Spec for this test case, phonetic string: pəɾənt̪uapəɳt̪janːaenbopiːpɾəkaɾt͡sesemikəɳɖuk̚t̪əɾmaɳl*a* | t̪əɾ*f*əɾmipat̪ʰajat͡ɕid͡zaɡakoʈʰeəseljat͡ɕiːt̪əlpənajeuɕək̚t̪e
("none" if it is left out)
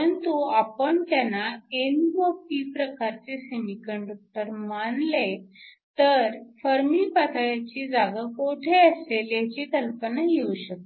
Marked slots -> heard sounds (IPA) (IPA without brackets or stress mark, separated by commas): e, f